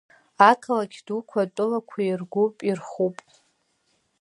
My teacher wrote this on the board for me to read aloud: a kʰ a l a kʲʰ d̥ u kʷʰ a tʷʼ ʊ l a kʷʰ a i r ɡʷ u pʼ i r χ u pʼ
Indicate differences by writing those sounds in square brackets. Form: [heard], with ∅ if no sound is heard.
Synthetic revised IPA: a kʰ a l a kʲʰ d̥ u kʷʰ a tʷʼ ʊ l a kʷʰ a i r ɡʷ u pʼ i r χ u pʼ